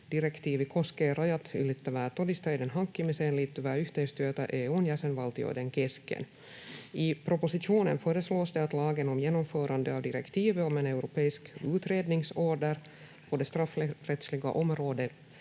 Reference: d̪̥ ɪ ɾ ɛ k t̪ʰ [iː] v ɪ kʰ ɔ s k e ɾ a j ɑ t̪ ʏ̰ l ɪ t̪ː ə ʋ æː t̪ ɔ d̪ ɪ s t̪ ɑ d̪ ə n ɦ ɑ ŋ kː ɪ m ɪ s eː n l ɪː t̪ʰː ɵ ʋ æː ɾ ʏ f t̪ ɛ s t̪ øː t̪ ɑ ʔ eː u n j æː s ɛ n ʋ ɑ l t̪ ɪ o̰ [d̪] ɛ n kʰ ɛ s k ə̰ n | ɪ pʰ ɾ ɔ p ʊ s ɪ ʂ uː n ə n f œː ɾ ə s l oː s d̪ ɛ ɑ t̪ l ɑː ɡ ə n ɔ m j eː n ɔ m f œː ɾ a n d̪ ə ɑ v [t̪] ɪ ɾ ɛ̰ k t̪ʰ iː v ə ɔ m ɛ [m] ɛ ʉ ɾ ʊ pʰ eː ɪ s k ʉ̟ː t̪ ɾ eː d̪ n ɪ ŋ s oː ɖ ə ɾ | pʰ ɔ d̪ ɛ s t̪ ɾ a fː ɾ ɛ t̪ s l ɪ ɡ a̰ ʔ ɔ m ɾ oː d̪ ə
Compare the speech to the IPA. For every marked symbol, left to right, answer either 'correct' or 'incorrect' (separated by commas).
correct, correct, incorrect, incorrect